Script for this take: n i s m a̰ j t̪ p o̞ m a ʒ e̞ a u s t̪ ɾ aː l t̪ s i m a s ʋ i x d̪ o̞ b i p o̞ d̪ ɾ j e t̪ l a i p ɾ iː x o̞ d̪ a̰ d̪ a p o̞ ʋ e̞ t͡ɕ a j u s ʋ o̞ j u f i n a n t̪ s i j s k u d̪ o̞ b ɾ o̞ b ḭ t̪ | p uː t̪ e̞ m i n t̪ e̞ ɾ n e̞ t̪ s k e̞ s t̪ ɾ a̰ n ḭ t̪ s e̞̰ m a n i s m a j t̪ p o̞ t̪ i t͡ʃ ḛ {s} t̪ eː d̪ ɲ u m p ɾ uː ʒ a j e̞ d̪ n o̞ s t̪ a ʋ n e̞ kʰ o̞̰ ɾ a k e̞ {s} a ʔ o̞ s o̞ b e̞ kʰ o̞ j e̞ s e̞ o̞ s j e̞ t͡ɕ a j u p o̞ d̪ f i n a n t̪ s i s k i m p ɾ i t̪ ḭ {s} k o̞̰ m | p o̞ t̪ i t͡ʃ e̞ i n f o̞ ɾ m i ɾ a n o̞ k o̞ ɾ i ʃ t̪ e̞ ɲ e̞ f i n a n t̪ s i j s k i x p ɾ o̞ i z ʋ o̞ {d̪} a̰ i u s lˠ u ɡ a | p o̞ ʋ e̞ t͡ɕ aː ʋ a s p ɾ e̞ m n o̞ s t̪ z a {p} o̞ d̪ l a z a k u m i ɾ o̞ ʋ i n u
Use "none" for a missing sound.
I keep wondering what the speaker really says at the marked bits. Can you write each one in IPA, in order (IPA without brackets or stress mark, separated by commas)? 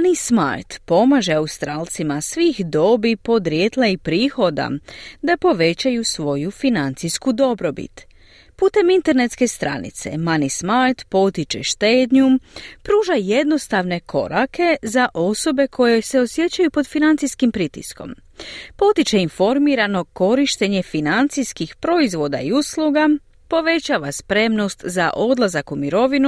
ʃ, z, s, d̪, ʔ